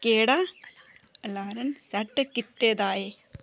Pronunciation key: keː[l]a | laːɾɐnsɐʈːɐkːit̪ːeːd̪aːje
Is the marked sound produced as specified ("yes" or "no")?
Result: no